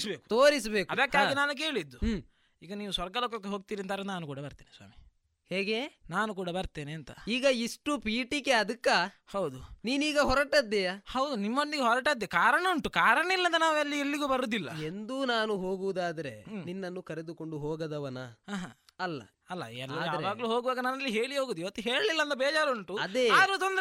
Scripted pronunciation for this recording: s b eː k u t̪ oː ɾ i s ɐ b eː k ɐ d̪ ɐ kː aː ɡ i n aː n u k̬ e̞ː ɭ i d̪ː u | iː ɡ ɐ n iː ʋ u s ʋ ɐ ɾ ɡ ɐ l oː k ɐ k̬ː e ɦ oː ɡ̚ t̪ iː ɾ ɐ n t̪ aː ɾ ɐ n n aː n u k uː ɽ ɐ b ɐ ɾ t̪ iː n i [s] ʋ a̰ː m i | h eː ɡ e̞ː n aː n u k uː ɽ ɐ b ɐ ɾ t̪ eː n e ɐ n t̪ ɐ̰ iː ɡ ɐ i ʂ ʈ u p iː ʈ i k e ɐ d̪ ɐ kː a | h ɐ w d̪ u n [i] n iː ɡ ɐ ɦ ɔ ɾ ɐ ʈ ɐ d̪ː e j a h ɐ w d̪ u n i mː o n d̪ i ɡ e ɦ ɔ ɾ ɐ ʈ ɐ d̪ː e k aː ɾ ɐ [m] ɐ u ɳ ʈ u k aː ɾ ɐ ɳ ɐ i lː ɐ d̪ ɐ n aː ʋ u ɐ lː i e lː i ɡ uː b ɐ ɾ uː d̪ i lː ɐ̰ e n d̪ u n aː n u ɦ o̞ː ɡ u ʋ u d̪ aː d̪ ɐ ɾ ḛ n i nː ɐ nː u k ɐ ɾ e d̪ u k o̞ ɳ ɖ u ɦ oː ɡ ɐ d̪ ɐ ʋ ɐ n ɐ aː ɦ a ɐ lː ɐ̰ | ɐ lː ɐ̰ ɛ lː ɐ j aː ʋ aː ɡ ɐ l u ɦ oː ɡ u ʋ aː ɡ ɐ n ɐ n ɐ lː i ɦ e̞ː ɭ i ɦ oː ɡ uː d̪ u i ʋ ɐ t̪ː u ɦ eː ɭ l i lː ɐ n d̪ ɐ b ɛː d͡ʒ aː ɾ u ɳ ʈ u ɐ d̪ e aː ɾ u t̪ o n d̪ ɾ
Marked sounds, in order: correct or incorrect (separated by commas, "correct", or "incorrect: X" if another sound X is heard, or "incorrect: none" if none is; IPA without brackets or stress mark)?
correct, incorrect: iː, incorrect: ɳ